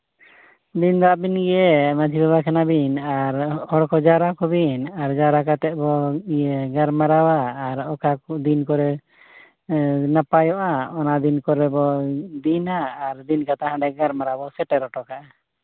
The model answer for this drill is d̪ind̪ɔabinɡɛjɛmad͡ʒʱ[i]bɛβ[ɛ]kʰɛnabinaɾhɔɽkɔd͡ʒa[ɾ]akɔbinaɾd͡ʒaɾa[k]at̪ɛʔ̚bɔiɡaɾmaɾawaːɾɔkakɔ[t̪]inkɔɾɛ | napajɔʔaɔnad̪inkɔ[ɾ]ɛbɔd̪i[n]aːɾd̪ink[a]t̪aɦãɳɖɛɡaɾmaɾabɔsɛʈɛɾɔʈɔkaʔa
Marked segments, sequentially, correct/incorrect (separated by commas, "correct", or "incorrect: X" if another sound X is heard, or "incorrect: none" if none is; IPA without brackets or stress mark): correct, incorrect: a, correct, correct, incorrect: d̪, correct, correct, correct